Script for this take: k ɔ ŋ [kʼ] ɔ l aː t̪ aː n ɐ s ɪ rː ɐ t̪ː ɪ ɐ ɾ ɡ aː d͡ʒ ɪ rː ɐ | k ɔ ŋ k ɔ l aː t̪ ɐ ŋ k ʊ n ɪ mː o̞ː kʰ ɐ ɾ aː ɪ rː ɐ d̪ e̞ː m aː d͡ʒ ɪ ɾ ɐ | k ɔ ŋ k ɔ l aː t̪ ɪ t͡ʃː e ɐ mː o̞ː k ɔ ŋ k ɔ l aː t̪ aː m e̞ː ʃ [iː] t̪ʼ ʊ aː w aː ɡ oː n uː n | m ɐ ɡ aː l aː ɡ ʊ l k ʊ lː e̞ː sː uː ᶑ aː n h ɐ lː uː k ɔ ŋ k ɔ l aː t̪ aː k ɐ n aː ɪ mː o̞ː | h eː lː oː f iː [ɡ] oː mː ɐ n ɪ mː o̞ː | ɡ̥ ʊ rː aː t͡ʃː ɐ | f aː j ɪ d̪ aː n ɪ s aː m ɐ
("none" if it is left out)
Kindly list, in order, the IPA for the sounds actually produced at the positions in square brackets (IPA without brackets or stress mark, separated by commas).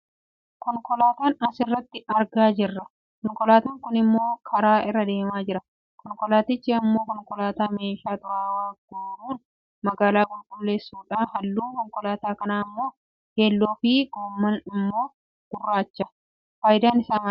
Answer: k, aː, ɡ